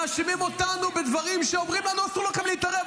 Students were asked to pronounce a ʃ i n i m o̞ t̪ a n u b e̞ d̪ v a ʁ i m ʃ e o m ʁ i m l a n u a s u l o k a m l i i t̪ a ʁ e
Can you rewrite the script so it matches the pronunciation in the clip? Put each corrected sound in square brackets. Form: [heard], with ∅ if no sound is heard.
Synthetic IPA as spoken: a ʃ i [m] i m o̞ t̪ a n u b e̞ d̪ v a ʁ i m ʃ e o m ʁ i m l a n u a s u l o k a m l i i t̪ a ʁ e